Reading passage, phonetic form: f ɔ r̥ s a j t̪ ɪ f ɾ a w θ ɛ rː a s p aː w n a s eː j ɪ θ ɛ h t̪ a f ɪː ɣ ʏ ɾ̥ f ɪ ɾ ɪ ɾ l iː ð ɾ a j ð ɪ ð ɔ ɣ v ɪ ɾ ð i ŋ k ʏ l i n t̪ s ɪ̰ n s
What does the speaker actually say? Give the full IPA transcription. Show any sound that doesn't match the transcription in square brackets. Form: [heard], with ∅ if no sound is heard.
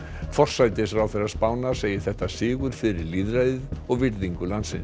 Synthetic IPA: f ɔ r̥ s a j t̪ ɪ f ɾ a w θ ɛ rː a s p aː w n a s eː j ɪ θ ɛ h t̪ a [s] ɪː ɣ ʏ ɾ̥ f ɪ ɾ ɪ ɾ l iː ð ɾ a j ð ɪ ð ɔ ɣ v ɪ ɾ ð i ŋ k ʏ l [a] n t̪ s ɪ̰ n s